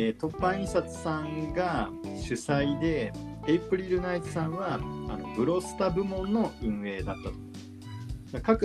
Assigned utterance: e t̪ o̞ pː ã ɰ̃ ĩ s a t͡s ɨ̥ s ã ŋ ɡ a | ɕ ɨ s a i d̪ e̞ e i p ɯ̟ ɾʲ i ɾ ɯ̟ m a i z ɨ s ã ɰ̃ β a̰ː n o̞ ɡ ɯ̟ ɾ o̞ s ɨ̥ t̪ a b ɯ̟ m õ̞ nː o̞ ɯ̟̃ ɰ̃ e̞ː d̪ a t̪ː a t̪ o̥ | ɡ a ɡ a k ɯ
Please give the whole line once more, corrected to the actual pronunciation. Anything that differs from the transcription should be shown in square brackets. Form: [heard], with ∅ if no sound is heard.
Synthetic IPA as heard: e t̪ o̞ pː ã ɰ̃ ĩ s a t͡s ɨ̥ s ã ŋ ɡ a | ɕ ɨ s a i d̪ e̞ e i p ɯ̟ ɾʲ i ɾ ɯ̟ [n] a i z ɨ s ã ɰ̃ β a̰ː n o̞ [b] ɯ̟ ɾ o̞ s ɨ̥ t̪ a b ɯ̟ m õ̞ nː o̞ ɯ̟̃ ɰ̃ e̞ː d̪ a t̪ː a t̪ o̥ | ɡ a [k] a k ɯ